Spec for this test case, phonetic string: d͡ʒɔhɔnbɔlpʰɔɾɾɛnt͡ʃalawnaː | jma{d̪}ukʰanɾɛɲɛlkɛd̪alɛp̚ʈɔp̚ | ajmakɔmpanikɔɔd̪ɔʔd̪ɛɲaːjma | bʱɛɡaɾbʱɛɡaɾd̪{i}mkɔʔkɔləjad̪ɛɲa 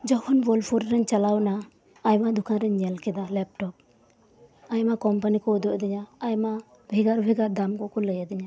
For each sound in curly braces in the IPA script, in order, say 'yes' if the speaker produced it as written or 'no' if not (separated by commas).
yes, no